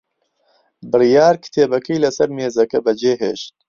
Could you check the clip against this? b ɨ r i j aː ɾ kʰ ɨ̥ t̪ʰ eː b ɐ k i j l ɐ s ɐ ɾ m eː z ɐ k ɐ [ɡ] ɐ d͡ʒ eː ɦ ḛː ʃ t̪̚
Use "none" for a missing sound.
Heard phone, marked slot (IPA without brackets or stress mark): b